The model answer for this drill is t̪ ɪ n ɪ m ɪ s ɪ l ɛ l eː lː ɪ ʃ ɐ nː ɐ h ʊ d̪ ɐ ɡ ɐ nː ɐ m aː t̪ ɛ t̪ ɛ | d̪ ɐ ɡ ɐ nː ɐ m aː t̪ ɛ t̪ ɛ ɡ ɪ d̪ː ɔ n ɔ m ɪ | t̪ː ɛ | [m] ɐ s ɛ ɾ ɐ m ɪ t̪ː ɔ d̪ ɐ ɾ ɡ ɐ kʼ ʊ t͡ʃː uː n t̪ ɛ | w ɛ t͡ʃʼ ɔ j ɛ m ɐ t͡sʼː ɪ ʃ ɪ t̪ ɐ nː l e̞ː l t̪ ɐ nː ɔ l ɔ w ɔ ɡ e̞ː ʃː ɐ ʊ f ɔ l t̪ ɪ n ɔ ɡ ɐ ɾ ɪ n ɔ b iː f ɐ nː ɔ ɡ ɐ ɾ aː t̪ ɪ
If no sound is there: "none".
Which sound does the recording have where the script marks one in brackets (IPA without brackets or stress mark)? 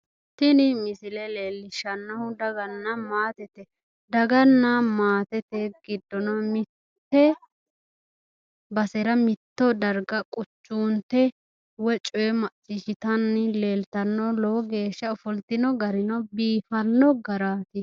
b